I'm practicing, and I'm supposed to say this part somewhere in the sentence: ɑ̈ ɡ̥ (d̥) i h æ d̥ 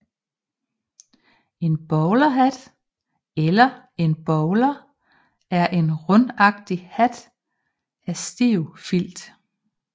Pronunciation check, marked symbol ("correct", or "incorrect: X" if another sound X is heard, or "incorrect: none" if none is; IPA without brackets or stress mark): correct